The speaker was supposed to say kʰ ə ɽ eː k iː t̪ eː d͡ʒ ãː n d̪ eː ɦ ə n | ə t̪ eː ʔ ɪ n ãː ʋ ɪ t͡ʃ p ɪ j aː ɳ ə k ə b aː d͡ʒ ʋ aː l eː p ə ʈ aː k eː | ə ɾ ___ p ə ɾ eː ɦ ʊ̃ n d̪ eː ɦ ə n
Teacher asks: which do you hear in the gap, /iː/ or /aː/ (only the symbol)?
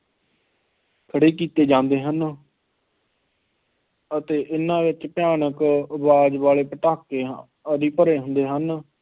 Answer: iː